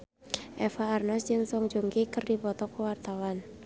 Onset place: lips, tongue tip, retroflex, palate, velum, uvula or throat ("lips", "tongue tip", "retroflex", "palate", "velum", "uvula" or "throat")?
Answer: throat